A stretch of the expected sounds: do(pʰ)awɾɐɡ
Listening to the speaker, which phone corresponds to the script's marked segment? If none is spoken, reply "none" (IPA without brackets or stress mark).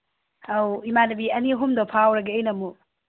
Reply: pʰ